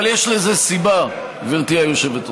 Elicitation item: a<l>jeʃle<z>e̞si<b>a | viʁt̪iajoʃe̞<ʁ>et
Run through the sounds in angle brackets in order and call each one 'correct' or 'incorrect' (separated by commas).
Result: correct, correct, correct, incorrect